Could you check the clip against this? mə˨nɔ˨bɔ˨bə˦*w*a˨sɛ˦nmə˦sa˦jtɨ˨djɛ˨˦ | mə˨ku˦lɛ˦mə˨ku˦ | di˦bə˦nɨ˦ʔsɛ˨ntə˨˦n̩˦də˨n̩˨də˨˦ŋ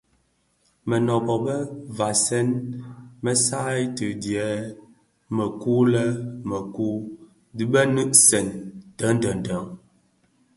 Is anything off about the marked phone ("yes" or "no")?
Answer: yes